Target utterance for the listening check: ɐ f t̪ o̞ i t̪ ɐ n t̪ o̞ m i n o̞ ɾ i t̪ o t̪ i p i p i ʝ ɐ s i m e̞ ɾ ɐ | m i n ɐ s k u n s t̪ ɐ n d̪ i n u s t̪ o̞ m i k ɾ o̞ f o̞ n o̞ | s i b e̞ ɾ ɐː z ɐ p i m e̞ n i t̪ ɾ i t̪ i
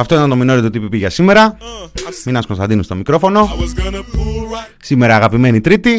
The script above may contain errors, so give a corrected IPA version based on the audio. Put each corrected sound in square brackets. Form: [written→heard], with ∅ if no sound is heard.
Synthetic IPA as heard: ɐ f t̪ o̞ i t̪ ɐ n t̪ o̞ m i n o̞ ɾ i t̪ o t̪ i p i p i ʝ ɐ s i m e̞ ɾ ɐ | m i n ɐ s k [u→o] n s t̪ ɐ n d̪ i n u s t̪ o̞ m i k ɾ o̞ f o̞ n o̞ | s i [b→m] e̞ ɾ ɐː [z→ɣ] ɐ p i m e̞ n i t̪ ɾ i t̪ i